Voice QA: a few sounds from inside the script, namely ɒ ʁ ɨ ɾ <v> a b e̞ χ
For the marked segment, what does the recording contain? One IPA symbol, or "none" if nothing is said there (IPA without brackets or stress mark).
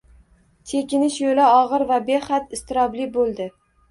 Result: v